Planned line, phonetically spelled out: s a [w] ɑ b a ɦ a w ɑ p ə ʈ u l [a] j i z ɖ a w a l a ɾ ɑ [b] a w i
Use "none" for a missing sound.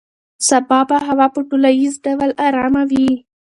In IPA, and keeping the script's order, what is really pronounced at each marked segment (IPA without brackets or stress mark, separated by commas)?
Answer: b, a, m